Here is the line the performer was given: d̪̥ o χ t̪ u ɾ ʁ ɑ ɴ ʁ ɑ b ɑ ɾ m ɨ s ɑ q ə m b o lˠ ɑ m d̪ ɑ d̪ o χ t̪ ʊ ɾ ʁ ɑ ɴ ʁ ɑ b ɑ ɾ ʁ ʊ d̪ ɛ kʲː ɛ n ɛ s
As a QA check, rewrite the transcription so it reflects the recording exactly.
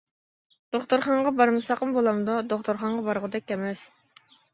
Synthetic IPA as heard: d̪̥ o χ t̪ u ɾ χ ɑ ɴ ʁ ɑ b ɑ ɾ m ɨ s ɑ q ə m b o lˠ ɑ m d̪ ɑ d̪ o χ t̪ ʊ ɾ χ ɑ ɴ ʁ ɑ b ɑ ɾ ʁ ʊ d̪ ɛ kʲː ɛ m ɛ s